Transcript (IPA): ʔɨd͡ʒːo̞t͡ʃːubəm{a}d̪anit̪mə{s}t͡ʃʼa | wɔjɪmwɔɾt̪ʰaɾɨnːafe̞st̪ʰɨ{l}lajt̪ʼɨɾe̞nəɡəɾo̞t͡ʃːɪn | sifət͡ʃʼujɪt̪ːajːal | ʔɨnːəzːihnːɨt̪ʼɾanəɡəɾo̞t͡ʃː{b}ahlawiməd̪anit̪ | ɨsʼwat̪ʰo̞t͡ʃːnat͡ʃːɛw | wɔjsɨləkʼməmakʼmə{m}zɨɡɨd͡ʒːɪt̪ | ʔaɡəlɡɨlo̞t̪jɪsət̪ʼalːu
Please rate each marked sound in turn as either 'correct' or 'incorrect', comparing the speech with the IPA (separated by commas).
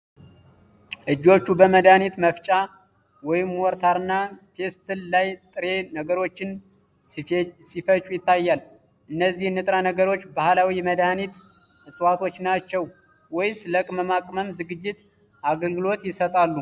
incorrect, incorrect, correct, correct, correct